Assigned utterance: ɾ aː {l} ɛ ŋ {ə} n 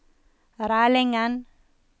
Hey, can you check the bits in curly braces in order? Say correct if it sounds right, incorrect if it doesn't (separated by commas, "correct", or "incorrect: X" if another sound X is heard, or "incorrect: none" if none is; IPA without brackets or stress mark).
correct, incorrect: a